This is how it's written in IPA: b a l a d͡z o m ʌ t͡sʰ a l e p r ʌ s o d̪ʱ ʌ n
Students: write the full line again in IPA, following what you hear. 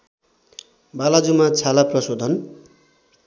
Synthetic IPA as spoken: b a l a d͡z u m a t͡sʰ a l a p r ʌ s o d̪ʱ ʌ n